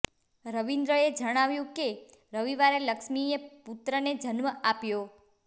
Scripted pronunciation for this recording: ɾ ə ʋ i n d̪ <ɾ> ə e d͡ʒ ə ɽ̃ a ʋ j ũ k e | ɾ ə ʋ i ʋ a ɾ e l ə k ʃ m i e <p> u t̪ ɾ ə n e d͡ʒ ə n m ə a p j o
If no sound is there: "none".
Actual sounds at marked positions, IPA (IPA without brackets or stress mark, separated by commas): ɾ, p